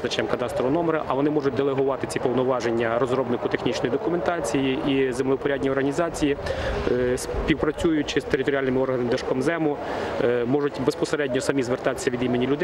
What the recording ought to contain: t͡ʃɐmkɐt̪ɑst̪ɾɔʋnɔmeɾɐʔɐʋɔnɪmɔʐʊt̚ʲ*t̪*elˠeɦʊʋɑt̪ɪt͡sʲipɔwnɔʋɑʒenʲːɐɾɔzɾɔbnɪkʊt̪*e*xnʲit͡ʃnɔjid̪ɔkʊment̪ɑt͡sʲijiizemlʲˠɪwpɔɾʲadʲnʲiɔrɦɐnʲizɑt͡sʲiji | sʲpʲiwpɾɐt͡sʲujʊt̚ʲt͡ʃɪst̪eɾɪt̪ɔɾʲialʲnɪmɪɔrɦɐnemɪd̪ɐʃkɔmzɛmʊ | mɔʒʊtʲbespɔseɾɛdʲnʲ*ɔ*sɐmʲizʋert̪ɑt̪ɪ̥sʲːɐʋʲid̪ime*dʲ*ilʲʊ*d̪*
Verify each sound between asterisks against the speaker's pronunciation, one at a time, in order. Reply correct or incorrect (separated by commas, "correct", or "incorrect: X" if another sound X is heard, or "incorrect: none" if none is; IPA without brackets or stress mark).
incorrect: d̪, correct, correct, incorrect: nʲ, correct